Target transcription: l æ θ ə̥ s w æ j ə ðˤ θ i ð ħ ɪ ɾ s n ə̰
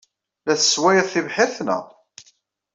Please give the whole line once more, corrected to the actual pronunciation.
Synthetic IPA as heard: l æ θ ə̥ s w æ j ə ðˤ θ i v ħ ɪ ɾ θ n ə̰